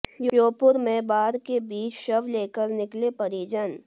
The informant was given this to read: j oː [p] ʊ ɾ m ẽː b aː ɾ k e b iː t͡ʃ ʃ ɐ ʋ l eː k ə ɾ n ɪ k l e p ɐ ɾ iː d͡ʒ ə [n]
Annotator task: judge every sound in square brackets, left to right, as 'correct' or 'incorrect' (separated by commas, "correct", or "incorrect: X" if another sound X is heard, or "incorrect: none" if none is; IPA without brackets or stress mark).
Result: correct, correct